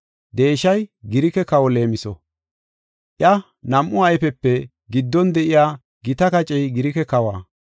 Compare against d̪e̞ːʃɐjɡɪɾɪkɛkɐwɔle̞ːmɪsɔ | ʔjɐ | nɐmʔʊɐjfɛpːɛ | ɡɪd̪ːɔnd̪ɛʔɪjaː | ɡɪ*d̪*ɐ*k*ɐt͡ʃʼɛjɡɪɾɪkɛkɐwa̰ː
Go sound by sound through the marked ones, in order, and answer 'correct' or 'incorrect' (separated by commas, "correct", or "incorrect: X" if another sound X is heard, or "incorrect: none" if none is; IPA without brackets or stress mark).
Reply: incorrect: t̪, correct